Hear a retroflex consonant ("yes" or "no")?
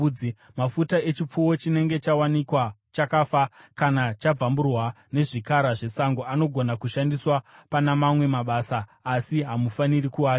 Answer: yes